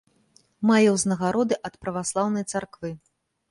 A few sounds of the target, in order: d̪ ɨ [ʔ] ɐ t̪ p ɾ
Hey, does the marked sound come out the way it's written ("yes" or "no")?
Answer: yes